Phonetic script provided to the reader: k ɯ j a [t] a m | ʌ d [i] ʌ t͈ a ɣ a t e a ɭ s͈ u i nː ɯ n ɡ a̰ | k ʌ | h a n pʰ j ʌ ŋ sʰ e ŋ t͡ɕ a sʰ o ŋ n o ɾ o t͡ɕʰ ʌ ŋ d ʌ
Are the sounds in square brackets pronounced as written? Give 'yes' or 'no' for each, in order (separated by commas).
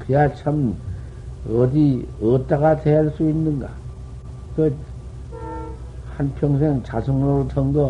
no, yes